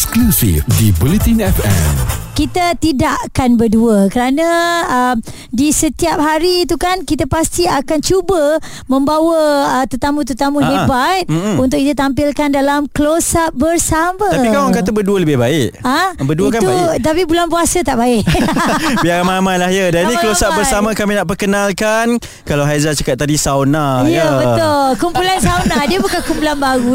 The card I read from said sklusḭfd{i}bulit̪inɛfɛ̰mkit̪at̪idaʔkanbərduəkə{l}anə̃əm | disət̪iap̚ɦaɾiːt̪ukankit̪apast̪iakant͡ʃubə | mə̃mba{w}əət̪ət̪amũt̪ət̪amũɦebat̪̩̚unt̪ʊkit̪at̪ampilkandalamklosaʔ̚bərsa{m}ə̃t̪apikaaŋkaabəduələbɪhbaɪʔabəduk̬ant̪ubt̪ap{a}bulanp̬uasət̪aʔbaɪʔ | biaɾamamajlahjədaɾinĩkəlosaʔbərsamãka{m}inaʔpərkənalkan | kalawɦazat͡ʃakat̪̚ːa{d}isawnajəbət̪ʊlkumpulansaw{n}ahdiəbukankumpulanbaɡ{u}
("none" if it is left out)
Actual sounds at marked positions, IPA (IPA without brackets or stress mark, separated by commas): i, ɾ, w, m, i, m, d, n, u